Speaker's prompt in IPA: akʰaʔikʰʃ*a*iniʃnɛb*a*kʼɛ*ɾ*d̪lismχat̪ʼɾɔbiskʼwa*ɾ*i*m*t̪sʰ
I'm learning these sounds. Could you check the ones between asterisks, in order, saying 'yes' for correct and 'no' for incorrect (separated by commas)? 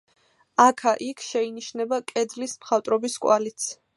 no, yes, no, no, no